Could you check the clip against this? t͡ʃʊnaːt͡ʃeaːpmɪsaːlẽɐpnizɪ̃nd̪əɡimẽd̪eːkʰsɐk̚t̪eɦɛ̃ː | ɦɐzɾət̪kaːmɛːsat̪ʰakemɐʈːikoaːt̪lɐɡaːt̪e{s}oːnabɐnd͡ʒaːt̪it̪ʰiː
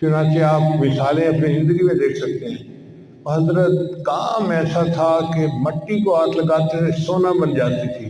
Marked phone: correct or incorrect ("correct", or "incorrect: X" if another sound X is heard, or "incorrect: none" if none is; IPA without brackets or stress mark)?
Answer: correct